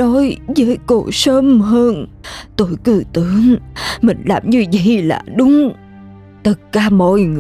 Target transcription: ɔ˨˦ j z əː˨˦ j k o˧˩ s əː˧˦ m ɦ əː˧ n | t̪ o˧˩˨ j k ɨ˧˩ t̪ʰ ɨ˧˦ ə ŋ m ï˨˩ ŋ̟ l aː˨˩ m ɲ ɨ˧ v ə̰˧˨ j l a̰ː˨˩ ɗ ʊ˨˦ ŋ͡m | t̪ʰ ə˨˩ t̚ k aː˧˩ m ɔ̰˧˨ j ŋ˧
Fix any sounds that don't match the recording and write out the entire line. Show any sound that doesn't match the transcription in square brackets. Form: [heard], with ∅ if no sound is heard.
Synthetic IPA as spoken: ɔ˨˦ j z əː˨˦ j k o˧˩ s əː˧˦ m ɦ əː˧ n | t̪ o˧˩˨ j k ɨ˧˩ [t̪] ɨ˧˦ ə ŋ m ï˨˩ ŋ̟ l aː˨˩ m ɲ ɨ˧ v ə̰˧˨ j l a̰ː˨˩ ɗ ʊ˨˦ ŋ͡m | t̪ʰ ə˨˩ t̚ k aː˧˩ m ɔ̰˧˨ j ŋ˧